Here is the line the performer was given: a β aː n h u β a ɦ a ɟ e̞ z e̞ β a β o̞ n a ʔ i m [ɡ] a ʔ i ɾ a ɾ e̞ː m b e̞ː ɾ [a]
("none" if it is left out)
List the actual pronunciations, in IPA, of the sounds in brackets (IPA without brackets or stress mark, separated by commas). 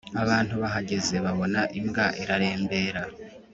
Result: ɡ, a